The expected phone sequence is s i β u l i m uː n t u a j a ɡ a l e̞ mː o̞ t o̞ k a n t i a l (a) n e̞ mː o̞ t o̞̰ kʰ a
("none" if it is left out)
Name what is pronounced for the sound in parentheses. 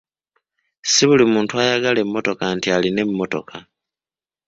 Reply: i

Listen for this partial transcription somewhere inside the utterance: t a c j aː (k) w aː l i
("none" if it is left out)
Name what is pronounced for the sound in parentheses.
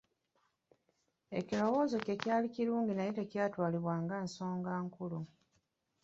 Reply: t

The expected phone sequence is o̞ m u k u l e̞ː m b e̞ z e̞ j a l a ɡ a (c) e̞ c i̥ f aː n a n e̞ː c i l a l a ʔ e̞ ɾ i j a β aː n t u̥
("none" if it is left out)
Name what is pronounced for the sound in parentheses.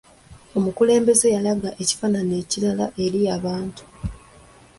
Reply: ʔ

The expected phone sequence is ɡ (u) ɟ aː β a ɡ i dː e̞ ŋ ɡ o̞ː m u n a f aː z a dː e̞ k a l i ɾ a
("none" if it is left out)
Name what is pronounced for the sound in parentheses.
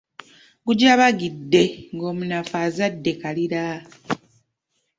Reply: u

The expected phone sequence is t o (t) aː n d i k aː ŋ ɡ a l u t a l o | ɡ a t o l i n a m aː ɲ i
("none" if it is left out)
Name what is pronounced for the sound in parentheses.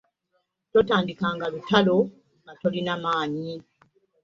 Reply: t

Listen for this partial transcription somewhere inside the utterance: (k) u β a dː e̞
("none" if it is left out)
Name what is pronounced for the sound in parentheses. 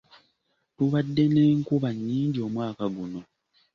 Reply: t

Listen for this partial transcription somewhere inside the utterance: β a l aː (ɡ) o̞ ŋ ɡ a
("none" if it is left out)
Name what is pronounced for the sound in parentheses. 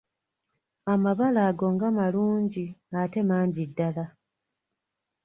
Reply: ɡ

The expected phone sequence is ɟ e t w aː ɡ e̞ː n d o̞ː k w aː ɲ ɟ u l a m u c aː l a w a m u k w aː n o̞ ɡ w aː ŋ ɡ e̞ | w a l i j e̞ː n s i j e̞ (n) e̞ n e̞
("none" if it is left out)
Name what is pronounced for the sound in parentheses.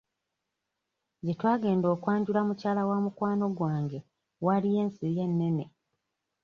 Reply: nː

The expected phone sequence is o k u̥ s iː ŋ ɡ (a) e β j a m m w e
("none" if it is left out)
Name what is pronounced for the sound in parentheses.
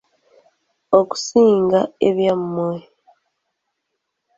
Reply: a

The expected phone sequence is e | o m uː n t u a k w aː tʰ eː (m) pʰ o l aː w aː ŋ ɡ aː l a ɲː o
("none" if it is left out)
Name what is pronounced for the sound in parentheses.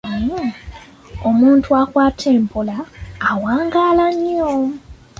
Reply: m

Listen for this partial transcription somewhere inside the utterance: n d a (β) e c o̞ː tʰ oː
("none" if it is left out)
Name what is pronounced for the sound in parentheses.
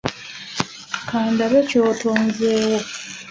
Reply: β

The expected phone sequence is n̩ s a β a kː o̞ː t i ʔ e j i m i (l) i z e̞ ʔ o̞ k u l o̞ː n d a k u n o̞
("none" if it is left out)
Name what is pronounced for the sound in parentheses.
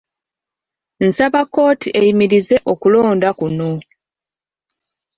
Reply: ɾ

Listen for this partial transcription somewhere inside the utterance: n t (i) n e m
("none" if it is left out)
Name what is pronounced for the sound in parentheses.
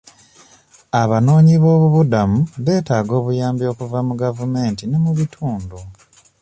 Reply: i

